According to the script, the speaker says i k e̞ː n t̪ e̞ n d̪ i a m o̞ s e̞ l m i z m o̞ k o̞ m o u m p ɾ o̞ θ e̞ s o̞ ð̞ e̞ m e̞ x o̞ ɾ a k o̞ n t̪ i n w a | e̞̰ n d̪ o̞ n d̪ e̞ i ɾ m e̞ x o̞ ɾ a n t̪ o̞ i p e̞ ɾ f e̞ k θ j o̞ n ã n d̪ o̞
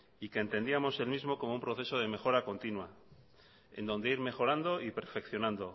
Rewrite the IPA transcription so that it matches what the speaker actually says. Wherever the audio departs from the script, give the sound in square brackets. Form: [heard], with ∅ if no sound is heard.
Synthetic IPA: i k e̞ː n t̪ e̞ n d̪ i a m o̞ s e̞ l m i z m o̞ k o̞ m o u m p ɾ o̞ θ e̞ s o̞ ð̞ e̞ m e̞ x o̞ ɾ a k o̞ n t̪ i n w a | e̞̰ n d̪ o̞ n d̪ e̞ i ɾ m e̞ x o̞ ɾ a n [d̪] o̞ i p e̞ ɾ f e̞ k θ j o̞ n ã n d̪ o̞